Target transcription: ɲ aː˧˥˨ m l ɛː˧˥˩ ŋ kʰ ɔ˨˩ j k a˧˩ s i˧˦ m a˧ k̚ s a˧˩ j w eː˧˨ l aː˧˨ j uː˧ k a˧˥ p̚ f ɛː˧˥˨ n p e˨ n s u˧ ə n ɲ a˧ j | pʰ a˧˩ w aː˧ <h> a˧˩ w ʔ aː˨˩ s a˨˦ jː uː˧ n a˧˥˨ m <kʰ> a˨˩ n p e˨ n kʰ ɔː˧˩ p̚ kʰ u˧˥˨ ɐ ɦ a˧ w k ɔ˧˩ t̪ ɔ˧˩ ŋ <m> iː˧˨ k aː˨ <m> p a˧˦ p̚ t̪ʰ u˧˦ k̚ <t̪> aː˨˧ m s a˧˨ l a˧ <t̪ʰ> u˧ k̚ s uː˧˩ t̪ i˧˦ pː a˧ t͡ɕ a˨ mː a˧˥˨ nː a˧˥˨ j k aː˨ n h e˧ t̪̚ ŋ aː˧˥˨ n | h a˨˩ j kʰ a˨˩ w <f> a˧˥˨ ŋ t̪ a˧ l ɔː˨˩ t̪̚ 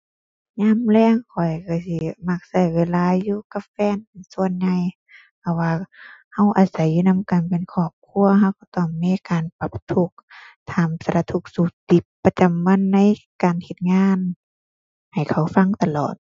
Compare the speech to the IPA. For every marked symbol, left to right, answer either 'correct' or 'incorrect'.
correct, incorrect: k, correct, incorrect: n, incorrect: t̪ʰ, correct, correct

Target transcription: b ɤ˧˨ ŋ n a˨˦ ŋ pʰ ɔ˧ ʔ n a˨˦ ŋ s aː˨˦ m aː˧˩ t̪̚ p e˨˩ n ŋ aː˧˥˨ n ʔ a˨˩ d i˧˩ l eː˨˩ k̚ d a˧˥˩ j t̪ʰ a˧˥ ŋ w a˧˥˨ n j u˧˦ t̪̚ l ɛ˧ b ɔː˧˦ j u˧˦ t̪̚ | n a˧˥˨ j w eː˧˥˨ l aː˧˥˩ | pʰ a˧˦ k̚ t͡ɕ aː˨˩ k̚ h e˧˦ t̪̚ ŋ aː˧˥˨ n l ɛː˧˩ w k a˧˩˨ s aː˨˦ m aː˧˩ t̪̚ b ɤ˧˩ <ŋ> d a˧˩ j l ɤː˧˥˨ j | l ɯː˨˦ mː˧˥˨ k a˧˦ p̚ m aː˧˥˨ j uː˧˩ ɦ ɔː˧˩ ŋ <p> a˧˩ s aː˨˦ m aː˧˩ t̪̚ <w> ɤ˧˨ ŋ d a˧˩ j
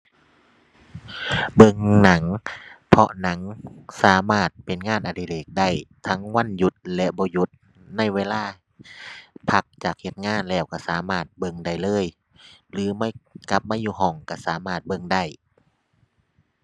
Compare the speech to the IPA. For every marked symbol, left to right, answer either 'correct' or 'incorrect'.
correct, incorrect: k, incorrect: b

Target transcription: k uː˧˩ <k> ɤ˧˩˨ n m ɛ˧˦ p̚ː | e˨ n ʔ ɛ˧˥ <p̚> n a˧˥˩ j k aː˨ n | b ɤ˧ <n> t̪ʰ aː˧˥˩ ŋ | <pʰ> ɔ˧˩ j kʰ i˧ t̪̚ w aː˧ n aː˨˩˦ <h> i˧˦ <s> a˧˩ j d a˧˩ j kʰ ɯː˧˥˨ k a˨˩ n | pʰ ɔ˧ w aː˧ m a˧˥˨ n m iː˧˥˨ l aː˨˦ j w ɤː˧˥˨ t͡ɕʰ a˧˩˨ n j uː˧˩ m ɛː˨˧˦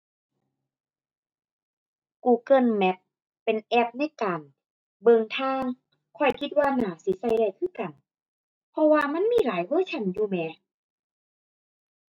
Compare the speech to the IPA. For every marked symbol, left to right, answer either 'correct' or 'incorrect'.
correct, correct, incorrect: ŋ, incorrect: kʰ, incorrect: s, correct

